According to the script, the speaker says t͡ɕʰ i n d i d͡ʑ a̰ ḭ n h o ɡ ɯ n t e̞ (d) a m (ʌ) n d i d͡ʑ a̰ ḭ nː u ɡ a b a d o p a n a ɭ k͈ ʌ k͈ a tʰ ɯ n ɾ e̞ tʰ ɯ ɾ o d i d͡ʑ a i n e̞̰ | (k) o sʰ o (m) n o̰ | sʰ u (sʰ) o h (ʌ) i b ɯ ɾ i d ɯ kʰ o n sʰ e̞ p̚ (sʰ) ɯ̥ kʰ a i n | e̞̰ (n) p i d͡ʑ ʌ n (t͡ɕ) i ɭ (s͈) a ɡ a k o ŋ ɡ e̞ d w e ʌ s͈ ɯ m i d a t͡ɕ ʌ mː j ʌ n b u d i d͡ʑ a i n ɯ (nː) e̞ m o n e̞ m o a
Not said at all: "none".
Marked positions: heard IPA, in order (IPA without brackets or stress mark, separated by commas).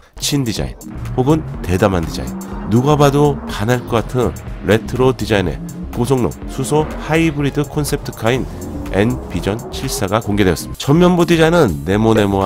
d, a, k, ŋ, sʰ, a, tʰ, n, t͡ɕʰ, s͈, nː